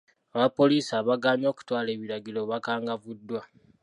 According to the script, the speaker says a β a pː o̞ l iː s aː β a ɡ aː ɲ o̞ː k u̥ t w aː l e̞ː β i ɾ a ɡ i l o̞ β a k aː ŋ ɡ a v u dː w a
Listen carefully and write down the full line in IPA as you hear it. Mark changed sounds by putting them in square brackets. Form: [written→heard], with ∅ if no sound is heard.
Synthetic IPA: a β a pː o̞ l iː s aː β a ɡ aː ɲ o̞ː k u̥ t w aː l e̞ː β i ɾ a ɡ i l o̞ β a k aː ŋ ɡ a v u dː w a